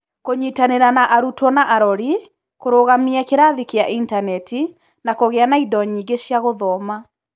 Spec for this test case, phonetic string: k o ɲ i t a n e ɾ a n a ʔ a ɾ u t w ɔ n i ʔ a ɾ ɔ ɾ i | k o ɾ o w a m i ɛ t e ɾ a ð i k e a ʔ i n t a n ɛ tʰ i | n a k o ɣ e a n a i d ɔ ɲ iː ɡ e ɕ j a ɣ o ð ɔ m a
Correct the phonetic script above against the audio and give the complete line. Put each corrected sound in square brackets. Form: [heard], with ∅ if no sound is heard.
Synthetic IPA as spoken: k o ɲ i t a n e ɾ a n a ʔ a ɾ u t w ɔ n [a] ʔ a ɾ ɔ ɾ i | k o ɾ o [ɣ] a m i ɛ [k] e ɾ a ð i k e a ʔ i n t a n ɛ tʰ i | n a k o ɣ e a n a i d ɔ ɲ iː ɡ e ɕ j a ɣ o ð ɔ m a